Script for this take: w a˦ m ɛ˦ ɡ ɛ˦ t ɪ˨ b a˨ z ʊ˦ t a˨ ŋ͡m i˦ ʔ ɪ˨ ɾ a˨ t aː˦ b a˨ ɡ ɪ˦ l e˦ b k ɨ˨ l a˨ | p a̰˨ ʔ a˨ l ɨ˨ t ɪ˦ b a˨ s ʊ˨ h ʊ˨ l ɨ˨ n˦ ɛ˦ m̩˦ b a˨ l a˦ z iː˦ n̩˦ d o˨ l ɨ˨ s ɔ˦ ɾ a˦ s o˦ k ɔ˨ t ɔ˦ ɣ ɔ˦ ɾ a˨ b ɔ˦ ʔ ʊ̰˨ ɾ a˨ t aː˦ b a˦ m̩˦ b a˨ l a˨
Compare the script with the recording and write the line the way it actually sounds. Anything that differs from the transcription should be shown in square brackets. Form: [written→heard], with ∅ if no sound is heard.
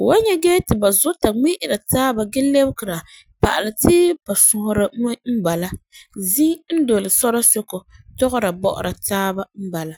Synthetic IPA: w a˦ [m→ɲ] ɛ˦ ɡ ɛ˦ t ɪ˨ b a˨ z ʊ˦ t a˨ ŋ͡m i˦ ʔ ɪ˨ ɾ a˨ t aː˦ b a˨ ɡ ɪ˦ l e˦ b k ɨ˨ [l→ɾ] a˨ | p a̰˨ ʔ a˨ l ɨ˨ t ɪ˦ b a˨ s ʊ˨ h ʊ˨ [l→ɾ] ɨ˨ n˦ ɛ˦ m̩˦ b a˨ l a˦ z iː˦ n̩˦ d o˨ l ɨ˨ s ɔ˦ ɾ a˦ s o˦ k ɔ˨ t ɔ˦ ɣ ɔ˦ ɾ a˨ b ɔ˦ ʔ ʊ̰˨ ɾ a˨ t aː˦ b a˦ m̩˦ b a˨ l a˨

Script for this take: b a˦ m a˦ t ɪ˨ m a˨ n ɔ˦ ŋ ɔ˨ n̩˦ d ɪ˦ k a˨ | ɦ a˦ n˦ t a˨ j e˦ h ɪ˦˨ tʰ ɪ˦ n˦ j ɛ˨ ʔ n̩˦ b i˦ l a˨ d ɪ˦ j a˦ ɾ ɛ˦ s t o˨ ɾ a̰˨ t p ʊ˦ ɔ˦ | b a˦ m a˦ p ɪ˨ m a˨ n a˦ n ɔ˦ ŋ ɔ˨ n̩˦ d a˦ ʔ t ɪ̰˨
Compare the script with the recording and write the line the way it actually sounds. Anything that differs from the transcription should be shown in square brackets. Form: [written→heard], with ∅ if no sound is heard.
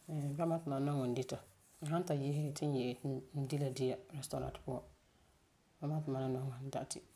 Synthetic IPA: b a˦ m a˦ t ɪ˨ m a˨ n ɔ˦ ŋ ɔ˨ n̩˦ d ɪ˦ [k→t] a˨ | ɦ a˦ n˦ t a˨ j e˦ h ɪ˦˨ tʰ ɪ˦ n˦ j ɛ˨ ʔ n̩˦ [b→d] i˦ l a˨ d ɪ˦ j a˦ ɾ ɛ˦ s t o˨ ɾ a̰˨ t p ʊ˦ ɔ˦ | b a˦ m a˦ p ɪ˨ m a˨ n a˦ n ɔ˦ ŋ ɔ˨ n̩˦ d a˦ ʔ t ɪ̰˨

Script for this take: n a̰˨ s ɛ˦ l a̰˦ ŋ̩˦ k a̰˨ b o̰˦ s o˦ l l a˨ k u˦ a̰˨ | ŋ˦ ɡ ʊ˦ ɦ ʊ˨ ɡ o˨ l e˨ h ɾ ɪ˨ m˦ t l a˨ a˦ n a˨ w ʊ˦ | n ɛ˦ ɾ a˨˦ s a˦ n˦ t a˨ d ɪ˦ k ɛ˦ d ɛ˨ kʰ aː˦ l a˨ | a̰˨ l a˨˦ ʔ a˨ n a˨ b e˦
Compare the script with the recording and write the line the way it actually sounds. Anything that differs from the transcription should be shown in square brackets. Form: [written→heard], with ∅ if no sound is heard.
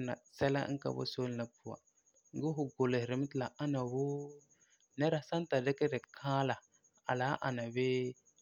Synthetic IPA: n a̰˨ s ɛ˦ l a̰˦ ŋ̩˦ k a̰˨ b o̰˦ s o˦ l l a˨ [k→p] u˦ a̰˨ | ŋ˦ ɡ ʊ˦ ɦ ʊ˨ ɡ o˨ l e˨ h ɾ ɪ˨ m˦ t l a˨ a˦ n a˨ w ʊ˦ | n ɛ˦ ɾ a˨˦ s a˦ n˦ t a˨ d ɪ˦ k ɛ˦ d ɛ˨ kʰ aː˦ l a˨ | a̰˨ l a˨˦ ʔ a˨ n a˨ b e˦

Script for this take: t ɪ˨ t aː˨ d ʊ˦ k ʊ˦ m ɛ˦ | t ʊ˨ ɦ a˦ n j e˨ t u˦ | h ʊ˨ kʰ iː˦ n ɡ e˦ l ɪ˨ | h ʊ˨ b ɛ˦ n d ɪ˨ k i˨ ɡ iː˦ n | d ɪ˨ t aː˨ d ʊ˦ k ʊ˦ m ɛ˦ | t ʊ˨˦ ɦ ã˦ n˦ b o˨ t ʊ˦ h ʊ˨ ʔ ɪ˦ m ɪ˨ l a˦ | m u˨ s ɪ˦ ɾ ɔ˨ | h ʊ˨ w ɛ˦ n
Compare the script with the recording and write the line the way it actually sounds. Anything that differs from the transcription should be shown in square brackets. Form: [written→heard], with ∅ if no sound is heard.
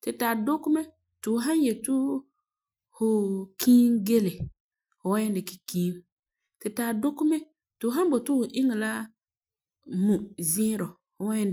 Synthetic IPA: t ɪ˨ t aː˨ d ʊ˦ k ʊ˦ m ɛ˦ | t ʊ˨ ɦ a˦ n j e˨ t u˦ | h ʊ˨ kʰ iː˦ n ɡ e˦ l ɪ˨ | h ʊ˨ [b→w] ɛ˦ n d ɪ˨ k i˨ [ɡ→k] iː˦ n | [d→t] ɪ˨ t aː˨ d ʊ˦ k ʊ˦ m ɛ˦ | t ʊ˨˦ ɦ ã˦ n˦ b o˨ t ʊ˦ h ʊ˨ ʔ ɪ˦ [m→ŋ] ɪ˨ l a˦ | m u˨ [s→z] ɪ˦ ɾ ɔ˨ | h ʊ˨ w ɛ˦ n

